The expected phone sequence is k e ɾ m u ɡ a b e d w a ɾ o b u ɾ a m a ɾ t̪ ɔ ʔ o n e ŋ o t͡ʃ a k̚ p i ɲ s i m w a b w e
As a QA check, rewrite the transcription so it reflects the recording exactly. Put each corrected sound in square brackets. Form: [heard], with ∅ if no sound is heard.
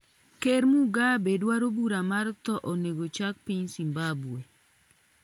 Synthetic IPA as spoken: k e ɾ m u ɡ a b e d w a ɾ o b u ɾ a m a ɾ t̪ ɔ ʔ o n e [ɡ] o t͡ʃ a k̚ p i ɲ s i m [b] a b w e

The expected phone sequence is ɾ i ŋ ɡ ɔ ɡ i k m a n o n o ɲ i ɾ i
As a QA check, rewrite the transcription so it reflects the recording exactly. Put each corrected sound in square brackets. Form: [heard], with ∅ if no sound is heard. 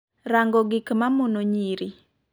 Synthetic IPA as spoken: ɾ [a] ŋ ɡ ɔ ɡ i k m a [m] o n o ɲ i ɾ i

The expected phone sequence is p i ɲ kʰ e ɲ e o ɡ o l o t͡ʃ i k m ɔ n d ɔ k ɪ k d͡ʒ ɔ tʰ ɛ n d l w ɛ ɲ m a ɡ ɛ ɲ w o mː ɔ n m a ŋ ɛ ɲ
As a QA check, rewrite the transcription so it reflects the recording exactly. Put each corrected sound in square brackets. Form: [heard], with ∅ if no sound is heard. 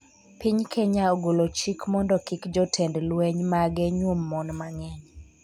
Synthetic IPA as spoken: p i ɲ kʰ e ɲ [a] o ɡ o l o t͡ʃ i k m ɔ n d ɔ k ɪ k d͡ʒ ɔ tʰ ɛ n d l w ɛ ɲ m a ɡ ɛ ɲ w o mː ɔ n m a ŋ ɛ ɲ

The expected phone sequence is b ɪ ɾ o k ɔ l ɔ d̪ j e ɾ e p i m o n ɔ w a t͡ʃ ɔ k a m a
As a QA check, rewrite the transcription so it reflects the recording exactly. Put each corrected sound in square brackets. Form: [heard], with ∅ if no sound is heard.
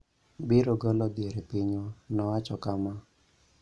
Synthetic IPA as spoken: b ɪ ɾ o [ɡ] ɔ l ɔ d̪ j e ɾ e p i [ɲ] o n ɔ w a t͡ʃ ɔ k a m a

